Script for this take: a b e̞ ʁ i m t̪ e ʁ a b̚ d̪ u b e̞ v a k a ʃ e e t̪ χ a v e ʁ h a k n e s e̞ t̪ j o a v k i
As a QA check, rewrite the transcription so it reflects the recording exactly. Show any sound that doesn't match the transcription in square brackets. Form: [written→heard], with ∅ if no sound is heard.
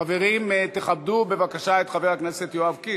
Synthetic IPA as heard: a [b→v] e̞ ʁ i m t̪ e [ʁ→χ] a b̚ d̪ u b e̞ v a k a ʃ [e→a] e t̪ χ a v e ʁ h a k n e s e̞ t̪ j o a v k i